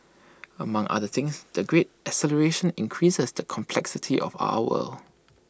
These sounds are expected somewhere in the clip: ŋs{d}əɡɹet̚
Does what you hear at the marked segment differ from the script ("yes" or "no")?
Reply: no